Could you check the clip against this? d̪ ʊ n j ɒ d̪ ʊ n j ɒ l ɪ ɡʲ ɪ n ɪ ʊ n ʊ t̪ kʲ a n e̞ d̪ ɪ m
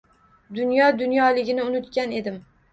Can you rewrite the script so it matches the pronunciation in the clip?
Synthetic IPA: d̪ ʊ n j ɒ d̪ ʊ n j ɒ l ɪ ɡʲ ɪ n ɪ ʊ n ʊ t̪ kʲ a n e̞ d̪ ɪ m

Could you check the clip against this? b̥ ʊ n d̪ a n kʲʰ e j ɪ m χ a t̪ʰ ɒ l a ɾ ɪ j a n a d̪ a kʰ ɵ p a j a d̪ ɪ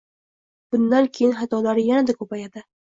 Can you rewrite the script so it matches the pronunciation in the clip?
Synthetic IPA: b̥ ʊ n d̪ a n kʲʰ e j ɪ n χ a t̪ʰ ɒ l a ɾ ɪ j a n a d̪ a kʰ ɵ p a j a d̪ ɪ

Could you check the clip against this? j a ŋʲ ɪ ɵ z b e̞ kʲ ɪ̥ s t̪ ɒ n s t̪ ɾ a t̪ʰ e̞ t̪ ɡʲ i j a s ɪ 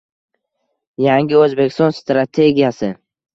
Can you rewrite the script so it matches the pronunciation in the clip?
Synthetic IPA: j a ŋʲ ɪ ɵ z b e̞ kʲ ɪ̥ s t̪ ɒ n s t̪ ɾ a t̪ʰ e̞ ɡʲ i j a s ɪ

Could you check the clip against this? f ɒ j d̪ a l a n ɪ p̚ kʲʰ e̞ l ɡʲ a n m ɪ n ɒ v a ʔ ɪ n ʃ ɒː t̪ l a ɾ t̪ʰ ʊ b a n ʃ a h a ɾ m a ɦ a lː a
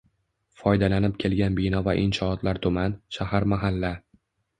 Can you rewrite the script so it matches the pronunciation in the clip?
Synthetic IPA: f ɒ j d̪ a l a n ɪ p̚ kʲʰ e̞ l ɡʲ a n b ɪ n ɒ v a ʔ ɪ n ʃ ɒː t̪ l a ɾ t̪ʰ ʊ m a n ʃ a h a ɾ m a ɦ a lː a

